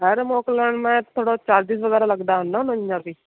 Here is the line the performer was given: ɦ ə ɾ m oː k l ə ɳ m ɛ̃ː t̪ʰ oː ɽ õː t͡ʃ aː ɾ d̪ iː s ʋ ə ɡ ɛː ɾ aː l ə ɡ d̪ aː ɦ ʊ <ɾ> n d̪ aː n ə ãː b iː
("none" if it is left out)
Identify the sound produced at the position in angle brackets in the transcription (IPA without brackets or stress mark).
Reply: none